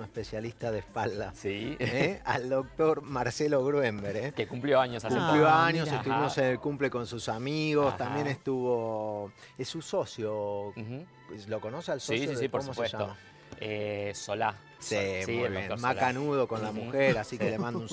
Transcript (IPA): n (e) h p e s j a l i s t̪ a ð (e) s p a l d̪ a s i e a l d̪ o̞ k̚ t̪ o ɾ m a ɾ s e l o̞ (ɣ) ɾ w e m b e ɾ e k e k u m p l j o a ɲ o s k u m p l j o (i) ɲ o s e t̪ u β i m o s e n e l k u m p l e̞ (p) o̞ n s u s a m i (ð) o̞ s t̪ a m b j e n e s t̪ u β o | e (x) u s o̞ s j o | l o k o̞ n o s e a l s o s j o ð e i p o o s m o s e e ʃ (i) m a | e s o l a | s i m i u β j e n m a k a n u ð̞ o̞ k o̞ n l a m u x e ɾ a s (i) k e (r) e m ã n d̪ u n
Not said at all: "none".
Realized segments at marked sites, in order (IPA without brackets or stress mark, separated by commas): e, e, ɣ, a, k, ɣ, s, a, i, l